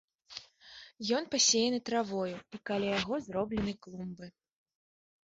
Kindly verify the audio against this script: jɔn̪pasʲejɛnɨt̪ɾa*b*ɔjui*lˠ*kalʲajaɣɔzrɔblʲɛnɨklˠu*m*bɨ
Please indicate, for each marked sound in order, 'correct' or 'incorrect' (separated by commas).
incorrect, incorrect, correct